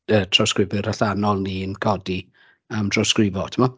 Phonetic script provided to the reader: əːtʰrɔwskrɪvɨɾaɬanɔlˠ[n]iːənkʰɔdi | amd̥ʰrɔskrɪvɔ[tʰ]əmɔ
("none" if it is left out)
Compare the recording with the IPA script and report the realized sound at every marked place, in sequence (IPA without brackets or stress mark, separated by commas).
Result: n, tʰ